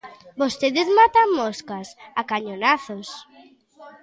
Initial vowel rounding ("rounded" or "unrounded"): rounded